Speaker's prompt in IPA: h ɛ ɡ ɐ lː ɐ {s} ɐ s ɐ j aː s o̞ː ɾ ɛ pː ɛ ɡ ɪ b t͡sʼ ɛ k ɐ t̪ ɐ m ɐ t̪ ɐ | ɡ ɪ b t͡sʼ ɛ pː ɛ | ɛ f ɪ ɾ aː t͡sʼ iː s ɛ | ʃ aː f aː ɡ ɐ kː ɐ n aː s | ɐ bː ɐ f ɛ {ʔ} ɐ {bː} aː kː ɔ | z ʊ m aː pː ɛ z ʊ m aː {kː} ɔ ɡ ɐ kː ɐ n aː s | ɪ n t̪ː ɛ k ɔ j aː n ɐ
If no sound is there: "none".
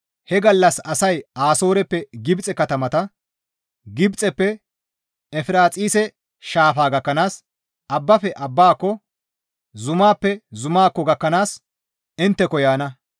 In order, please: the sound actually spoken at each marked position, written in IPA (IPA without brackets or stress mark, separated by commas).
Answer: s, ʔ, bː, kː